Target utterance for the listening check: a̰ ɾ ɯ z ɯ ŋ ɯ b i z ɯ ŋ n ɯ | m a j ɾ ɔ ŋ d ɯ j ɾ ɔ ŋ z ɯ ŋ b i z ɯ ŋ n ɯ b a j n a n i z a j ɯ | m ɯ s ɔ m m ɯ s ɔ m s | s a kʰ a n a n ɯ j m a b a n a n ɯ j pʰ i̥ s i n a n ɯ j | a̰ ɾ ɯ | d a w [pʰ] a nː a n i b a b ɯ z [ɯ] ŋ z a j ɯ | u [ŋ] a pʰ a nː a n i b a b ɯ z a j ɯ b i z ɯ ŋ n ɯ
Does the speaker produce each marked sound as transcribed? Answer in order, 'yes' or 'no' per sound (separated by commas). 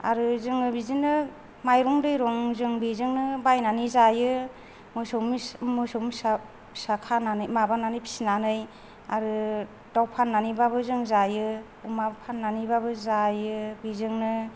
yes, yes, no